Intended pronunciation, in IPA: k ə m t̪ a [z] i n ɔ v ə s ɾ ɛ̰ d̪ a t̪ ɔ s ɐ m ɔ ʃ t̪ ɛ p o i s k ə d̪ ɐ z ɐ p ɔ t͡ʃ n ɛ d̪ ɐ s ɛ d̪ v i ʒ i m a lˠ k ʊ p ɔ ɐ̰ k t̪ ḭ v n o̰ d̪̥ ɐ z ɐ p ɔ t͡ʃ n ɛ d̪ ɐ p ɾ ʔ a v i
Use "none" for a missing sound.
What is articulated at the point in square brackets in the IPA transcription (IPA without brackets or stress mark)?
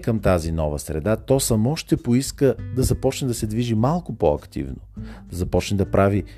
z